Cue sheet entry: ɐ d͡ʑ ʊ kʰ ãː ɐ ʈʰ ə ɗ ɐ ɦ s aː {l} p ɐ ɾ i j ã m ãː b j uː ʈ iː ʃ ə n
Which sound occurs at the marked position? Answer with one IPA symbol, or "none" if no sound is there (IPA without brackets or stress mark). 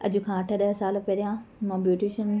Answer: l